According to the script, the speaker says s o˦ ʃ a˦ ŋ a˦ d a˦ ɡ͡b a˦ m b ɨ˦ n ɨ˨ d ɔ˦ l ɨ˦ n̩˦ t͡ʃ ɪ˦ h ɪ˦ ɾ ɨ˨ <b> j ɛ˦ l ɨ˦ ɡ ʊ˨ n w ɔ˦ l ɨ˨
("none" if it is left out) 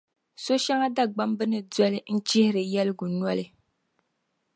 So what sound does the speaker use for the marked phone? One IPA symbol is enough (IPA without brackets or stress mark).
none